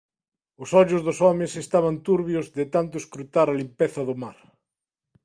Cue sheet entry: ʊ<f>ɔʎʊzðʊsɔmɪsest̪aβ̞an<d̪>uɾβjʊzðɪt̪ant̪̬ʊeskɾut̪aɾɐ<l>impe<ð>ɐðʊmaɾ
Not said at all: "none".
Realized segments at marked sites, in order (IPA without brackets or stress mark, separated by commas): s, t̪, l, θ